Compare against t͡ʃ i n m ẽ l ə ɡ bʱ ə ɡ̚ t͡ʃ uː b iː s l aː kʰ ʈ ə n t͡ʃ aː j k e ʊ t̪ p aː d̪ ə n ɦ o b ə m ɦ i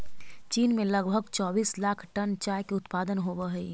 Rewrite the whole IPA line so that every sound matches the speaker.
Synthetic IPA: t͡ʃ iː n m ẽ l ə ɡ bʱ ə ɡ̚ t͡ʃ ɔː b iː s l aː kʰ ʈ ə n t͡ʃ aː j k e ʊ t̪ p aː d̪ ə n ɦ o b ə ɦ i